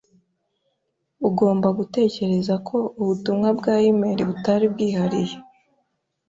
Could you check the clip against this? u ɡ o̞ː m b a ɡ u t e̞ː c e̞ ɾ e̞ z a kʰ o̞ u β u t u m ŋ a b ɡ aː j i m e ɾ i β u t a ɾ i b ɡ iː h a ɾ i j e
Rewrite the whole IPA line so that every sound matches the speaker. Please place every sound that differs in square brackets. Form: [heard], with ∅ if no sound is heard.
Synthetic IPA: u ɡ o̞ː m b a ɡ u t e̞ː c e̞ ɾ e̞ z a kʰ o̞ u β u t u m ŋ a b ɡ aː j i m e ɾ i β u t a ɾ i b ɡ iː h a ɾ i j e